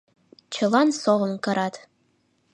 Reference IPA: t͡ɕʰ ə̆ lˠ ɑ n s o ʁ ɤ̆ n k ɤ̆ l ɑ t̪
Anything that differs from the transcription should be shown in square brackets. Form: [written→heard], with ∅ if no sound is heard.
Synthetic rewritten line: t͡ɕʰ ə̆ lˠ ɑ n s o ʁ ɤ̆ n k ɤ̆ [l→ɾ] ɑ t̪